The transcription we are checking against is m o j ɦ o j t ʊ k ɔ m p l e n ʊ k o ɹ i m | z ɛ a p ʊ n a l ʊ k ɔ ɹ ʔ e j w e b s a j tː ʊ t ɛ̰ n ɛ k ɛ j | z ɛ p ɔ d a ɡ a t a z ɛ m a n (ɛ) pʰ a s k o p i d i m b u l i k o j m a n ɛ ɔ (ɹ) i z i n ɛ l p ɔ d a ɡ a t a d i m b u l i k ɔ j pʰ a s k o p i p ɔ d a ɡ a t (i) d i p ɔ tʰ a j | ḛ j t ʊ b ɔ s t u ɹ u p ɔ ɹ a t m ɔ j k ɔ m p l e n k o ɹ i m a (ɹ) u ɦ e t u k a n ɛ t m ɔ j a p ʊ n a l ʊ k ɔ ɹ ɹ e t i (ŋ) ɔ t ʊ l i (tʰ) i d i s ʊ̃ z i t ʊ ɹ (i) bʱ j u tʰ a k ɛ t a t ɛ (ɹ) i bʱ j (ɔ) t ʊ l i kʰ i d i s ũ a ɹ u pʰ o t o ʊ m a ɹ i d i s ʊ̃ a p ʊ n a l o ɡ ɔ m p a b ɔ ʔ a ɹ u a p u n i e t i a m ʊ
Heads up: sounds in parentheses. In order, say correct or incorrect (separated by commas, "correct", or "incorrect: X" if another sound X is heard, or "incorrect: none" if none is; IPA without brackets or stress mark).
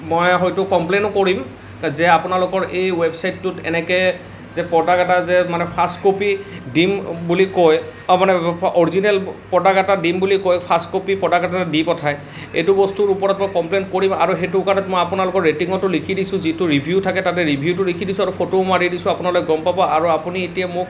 correct, correct, incorrect: a, correct, correct, incorrect: kʰ, correct, correct, incorrect: u